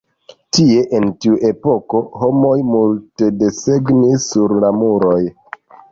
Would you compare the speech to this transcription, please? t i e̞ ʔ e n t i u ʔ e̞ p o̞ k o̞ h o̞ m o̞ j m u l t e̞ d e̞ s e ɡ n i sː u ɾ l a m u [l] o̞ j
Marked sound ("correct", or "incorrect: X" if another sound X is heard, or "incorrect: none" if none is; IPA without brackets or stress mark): incorrect: ɾ